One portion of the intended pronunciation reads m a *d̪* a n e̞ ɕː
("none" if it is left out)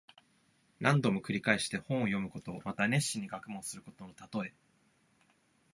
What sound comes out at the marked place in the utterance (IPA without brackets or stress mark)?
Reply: t̪